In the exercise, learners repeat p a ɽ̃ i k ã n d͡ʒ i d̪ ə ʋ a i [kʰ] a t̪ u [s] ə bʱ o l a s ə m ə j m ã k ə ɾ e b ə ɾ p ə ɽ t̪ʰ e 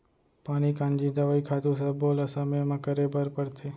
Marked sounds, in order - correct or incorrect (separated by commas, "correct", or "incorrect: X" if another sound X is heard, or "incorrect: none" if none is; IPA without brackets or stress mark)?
correct, correct